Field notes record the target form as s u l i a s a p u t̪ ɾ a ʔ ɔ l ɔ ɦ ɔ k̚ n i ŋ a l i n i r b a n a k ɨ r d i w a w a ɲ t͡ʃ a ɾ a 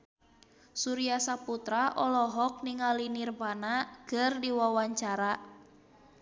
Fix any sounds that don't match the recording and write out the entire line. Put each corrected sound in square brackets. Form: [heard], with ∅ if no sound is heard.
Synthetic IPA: s u [ɾ] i a s a p u t̪ ɾ a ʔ ɔ l ɔ ɦ ɔ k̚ n i ŋ a l i n i r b a n a k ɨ r d i w a w a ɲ t͡ʃ a ɾ a